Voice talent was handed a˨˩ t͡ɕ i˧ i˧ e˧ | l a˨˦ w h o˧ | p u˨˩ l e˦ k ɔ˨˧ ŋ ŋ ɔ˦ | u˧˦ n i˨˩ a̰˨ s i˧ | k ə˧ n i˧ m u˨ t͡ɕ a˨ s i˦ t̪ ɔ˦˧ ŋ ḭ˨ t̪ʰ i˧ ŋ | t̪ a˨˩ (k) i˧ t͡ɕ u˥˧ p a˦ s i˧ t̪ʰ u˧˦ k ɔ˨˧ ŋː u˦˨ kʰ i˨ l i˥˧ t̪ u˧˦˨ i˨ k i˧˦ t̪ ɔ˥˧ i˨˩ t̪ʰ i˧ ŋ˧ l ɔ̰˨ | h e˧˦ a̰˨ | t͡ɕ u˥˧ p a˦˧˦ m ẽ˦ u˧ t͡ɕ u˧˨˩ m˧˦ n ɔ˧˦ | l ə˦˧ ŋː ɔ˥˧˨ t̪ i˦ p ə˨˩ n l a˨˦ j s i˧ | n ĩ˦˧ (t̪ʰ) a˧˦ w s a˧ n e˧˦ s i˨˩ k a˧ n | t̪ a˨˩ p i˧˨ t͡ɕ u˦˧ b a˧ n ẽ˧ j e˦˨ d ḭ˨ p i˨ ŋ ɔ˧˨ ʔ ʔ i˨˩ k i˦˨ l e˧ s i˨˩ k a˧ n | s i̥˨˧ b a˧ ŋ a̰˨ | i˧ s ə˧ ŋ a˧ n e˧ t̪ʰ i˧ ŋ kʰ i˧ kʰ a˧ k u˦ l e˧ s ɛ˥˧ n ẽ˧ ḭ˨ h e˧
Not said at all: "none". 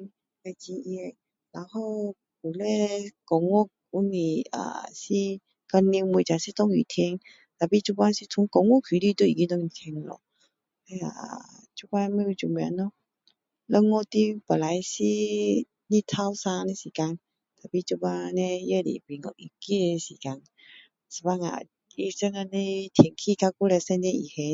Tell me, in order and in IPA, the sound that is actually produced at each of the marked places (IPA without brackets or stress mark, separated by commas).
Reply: p, t̪ʰ